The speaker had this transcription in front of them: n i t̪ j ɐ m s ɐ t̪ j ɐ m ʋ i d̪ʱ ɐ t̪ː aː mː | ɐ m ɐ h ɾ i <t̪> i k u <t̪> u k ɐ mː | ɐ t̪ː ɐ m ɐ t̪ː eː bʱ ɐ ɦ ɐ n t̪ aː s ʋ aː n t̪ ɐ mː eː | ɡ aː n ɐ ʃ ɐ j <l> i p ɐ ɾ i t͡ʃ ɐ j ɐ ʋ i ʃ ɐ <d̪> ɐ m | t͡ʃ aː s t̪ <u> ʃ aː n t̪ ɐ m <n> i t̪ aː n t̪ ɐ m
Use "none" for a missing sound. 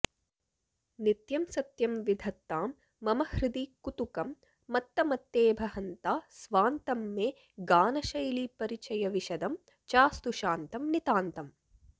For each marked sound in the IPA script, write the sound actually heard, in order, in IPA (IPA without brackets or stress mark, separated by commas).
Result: d̪, t̪, l, d̪, u, n